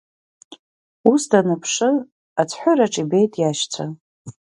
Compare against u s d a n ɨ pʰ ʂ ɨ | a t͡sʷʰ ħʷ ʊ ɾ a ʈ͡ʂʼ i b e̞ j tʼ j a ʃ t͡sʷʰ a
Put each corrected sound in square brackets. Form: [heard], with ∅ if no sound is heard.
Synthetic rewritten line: u s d a n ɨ pʰ ʂ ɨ | a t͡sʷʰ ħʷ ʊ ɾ a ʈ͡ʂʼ i b e̞ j tʼ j a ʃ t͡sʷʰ a